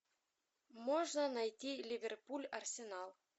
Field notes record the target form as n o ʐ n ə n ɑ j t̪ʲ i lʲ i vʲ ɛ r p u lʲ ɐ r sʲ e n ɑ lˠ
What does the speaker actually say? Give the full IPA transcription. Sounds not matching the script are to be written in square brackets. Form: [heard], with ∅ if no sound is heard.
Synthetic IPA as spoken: [m] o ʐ n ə n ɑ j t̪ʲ i lʲ i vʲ [e] r p u lʲ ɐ r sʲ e n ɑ lˠ